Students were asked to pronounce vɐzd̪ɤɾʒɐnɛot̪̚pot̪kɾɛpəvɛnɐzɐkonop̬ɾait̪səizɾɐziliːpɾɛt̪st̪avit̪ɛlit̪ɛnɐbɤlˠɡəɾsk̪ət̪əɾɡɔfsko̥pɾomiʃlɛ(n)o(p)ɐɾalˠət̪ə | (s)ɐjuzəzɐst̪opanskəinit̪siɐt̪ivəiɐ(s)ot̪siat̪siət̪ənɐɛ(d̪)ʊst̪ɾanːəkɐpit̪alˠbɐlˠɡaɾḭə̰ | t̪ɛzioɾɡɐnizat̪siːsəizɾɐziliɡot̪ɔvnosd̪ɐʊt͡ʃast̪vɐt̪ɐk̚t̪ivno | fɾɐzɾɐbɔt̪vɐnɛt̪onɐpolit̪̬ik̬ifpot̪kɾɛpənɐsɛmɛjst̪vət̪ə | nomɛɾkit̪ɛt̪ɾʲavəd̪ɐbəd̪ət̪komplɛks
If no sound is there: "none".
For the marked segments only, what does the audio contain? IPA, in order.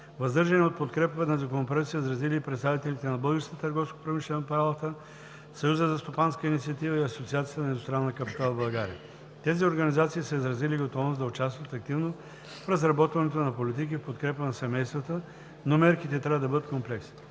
n, p, s, s, d̪

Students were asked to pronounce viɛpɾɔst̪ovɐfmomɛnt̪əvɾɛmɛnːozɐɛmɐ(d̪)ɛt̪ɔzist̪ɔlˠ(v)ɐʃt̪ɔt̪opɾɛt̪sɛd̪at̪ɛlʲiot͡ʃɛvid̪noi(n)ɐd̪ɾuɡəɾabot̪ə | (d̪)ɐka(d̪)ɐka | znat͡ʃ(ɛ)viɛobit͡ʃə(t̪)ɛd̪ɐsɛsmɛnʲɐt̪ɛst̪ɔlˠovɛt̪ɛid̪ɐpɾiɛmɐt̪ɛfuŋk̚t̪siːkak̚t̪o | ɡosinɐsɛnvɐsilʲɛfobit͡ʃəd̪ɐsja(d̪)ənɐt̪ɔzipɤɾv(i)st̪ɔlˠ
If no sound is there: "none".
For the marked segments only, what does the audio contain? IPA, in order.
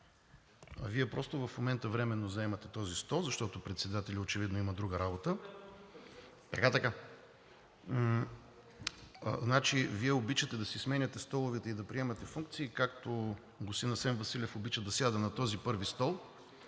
t̪, z, m, t̪, t̪, i, t̪, d̪, i

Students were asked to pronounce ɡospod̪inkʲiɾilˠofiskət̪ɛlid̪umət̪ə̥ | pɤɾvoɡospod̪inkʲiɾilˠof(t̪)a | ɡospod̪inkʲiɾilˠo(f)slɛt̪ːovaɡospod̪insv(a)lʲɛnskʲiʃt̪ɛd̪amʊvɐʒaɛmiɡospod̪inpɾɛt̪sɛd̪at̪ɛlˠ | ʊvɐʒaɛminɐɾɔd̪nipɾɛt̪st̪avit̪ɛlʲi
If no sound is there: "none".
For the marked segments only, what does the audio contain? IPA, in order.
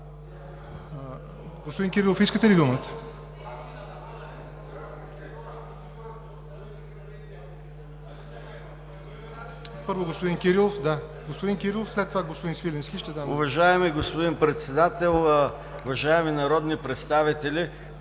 d̪, f, i

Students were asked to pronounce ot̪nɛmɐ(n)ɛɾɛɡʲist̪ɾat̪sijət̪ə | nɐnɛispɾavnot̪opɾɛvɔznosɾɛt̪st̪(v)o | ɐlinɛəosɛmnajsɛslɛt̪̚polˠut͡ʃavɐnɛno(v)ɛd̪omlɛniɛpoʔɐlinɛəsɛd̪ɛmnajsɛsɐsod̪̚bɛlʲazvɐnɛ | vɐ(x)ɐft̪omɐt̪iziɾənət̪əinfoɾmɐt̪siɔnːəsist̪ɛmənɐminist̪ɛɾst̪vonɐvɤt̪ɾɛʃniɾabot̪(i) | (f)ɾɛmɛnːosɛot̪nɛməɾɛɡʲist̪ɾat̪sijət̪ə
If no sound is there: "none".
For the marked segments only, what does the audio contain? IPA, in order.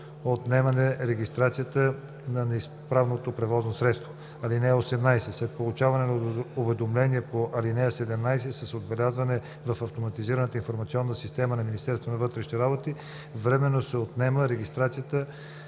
n, v, v, f, i, v

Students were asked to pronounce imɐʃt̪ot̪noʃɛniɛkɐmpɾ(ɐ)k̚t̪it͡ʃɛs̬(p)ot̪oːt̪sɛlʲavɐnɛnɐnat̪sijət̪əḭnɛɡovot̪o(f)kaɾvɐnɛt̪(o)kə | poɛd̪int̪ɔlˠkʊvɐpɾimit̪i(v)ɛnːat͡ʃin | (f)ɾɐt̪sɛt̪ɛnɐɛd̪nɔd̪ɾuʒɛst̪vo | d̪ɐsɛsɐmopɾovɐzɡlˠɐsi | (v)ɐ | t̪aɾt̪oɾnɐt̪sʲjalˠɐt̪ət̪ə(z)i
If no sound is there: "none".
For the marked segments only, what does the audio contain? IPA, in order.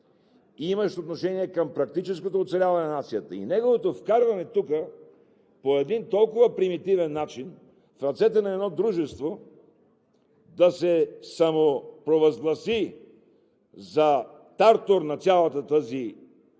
ɐ, k, f, u, v, f, z, z

